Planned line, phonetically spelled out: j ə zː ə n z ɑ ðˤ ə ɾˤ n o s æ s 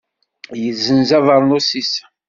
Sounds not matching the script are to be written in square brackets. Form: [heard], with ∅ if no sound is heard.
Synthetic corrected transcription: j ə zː ə n z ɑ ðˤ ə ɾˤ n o s [i] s